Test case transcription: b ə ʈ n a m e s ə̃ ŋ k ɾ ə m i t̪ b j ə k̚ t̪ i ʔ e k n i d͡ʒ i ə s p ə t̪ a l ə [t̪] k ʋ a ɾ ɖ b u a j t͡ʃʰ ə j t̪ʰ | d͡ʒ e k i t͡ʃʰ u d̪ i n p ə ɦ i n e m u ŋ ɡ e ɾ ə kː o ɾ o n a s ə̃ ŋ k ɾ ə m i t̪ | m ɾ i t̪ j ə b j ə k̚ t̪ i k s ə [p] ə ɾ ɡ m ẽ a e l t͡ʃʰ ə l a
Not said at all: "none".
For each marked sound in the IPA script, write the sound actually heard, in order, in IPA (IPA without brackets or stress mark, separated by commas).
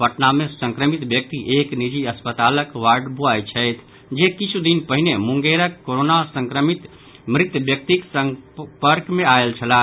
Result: none, p